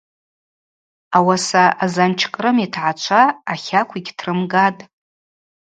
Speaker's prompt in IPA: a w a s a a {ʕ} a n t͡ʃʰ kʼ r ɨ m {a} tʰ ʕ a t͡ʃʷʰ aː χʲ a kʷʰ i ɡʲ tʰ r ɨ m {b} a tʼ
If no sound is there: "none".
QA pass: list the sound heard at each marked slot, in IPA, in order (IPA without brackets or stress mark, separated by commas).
z, i, ɡ